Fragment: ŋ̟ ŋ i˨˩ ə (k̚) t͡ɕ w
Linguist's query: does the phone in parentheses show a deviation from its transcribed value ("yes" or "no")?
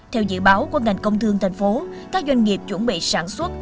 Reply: yes